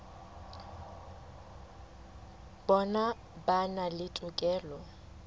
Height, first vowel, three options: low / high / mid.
mid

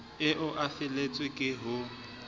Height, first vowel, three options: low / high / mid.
high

